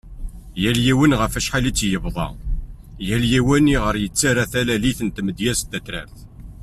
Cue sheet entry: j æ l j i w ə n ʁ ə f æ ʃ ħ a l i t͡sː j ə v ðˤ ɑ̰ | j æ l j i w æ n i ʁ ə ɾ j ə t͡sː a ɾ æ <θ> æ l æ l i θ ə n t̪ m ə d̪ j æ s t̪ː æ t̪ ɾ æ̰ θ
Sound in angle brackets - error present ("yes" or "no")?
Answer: no